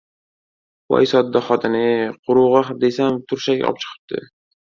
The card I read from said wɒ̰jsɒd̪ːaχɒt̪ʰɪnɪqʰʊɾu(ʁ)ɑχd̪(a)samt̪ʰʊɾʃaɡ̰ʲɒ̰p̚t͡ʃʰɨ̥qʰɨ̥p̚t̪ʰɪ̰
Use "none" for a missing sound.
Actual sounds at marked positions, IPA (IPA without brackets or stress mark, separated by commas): ʁ, e